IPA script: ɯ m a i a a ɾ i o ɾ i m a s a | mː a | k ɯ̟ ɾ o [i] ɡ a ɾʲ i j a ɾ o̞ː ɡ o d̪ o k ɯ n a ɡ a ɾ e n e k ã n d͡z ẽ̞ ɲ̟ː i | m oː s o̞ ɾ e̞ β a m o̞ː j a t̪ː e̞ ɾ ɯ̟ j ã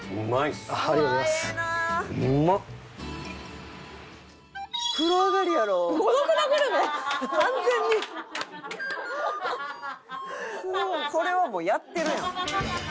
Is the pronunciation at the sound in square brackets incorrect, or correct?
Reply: incorrect